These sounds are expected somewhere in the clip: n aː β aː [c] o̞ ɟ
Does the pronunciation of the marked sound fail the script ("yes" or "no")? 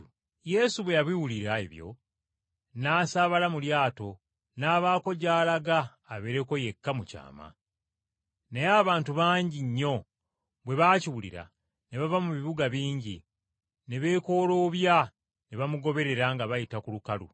yes